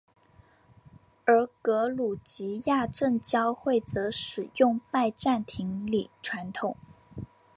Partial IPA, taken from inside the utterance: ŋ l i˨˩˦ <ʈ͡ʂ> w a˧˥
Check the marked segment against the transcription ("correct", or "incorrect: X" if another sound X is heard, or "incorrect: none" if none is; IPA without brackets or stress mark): incorrect: ʈ͡ʂʰ